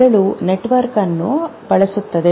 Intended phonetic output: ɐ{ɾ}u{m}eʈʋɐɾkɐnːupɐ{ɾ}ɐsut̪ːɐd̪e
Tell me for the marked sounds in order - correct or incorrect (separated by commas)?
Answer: incorrect, incorrect, incorrect